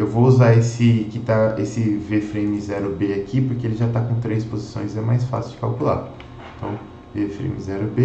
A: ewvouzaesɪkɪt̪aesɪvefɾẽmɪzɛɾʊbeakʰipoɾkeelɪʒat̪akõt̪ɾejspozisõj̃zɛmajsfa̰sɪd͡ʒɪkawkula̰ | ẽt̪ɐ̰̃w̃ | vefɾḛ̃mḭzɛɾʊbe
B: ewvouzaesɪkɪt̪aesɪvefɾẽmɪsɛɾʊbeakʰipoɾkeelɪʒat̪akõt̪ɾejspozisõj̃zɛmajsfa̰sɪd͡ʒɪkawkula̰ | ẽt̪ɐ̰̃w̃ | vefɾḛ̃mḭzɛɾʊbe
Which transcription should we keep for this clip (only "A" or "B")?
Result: A